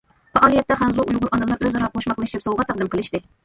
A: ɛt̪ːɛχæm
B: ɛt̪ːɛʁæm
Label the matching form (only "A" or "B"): A